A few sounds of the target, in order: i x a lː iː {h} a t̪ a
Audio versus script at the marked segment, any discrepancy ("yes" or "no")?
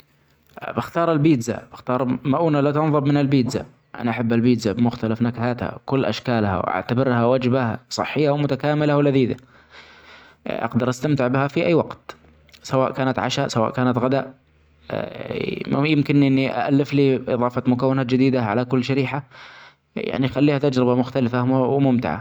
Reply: no